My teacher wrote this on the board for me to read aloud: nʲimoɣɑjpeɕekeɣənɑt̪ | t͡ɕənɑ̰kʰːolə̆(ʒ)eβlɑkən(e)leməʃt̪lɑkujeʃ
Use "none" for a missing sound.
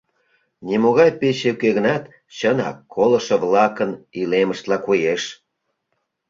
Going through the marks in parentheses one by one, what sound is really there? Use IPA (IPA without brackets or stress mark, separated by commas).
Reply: ʃ, i